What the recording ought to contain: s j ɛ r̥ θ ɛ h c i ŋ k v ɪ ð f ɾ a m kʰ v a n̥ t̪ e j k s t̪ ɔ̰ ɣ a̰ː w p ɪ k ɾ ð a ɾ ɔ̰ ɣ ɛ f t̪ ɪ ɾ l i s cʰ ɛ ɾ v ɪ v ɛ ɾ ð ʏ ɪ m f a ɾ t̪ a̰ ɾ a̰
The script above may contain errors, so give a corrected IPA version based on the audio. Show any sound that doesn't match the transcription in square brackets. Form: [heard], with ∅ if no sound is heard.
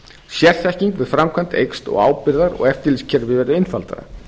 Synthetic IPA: s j ɛ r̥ θ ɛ h c i ŋ k v ɪ ð f ɾ a m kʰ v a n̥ t̪ e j k s t̪ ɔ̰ ɣ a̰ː w p ɪ [∅] ɾ ð a ɾ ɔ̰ ɣ ɛ f t̪ ɪ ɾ l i s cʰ ɛ ɾ v ɪ v ɛ ɾ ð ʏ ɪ [n] f a [l] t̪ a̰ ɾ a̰